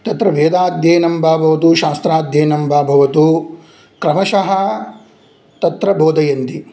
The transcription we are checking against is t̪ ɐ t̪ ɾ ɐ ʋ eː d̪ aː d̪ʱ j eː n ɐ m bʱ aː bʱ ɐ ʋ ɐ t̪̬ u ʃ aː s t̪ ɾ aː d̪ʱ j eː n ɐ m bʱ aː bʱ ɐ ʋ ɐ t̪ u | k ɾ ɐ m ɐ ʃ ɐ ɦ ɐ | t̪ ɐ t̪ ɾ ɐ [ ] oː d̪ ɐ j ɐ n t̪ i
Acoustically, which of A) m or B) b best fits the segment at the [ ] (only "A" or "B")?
B